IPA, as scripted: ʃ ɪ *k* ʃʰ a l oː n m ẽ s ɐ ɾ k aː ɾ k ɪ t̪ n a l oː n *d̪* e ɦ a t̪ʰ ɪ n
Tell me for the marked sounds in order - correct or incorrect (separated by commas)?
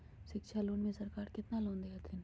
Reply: correct, correct